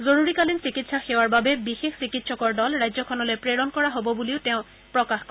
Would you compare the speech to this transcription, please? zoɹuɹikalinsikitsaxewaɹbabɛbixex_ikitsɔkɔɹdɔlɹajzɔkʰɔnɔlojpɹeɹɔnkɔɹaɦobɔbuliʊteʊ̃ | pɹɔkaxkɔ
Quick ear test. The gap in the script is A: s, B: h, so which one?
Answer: A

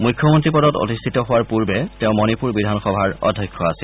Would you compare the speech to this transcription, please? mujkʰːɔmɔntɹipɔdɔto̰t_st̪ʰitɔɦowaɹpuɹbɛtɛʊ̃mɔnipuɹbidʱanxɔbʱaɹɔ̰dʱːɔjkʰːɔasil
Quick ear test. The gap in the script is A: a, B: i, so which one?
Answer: B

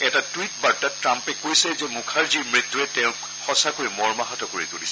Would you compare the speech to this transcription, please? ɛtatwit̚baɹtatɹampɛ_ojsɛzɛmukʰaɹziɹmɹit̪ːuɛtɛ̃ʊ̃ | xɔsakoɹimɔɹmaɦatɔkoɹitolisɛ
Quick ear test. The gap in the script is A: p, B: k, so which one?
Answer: B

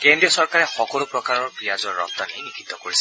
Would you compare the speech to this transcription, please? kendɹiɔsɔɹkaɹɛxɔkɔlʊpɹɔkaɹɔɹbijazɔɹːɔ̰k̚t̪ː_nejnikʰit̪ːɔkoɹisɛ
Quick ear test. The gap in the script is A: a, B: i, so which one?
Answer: A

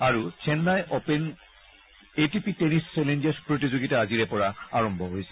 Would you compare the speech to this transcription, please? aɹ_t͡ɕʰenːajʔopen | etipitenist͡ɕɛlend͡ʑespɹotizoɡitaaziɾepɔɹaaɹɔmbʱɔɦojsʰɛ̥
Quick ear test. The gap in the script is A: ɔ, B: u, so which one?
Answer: B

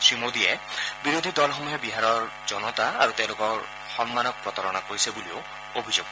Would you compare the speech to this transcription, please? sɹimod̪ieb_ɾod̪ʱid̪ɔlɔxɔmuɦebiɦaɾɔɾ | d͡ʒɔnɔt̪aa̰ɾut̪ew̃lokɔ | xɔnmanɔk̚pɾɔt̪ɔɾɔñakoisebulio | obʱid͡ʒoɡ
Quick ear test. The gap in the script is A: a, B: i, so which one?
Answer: B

